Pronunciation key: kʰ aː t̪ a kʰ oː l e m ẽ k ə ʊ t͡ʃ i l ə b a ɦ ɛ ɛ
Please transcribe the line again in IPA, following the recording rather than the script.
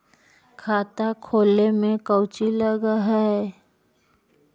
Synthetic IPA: kʰ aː t̪ a kʰ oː l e m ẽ k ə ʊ t͡ʃ i l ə ɡ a ɦ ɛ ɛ